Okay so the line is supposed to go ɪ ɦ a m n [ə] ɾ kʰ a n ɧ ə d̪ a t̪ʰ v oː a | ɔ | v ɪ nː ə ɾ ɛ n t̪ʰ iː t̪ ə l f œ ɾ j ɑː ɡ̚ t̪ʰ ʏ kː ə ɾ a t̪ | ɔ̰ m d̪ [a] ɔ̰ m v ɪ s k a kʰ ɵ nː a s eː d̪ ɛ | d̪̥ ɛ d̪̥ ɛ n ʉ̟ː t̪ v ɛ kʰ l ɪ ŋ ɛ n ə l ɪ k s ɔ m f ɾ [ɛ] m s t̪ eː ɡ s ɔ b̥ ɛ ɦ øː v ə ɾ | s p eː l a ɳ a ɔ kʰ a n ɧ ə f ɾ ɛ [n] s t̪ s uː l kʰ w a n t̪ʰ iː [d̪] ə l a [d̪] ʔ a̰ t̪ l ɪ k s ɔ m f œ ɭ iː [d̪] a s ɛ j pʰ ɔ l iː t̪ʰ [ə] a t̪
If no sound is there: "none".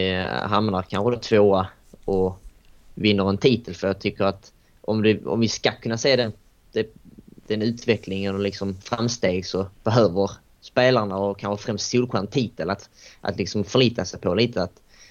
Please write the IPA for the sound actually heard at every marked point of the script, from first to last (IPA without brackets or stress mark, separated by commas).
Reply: a, ɛ, a, m, t̪, t̪, t̪, ə